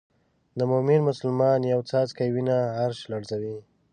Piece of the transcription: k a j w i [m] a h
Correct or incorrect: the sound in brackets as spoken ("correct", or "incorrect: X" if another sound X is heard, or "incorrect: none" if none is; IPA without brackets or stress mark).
incorrect: n